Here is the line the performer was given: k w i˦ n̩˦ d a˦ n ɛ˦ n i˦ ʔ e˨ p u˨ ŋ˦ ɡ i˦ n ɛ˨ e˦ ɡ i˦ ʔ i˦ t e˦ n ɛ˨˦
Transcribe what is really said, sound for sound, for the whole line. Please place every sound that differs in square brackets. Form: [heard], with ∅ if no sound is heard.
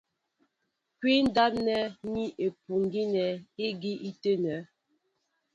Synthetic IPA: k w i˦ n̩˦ d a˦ n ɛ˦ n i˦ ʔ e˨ p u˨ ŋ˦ ɡ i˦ n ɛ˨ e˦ ɡ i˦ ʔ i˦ t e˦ n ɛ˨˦